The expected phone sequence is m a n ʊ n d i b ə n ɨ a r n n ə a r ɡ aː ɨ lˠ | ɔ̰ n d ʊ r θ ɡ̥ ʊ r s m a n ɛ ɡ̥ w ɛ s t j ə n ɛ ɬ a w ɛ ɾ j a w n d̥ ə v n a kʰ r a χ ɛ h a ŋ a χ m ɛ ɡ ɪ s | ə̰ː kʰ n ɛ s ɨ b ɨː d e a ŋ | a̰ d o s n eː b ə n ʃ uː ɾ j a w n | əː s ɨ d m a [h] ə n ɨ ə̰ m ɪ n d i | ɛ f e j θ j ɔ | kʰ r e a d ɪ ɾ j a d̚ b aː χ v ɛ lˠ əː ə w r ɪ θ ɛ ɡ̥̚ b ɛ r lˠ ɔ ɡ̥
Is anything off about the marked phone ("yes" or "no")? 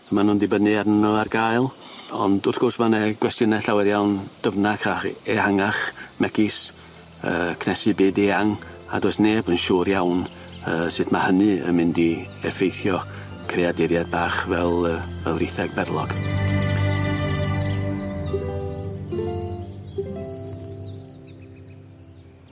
no